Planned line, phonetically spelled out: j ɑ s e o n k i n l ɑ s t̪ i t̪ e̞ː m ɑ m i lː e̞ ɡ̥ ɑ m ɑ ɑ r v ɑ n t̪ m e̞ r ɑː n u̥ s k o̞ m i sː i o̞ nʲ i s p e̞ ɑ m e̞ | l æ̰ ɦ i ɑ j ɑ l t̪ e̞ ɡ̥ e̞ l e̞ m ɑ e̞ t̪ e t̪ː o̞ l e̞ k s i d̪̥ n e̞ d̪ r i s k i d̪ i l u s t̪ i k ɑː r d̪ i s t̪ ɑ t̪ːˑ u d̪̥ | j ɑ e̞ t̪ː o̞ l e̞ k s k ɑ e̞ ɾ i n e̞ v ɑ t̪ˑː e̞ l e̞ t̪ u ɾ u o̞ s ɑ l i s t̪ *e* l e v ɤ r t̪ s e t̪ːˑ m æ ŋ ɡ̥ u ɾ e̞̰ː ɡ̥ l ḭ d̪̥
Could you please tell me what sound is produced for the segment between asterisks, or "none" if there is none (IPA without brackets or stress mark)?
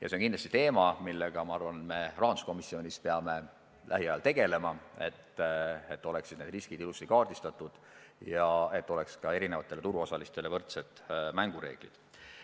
e